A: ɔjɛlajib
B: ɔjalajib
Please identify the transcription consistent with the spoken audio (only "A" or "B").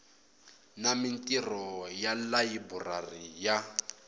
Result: B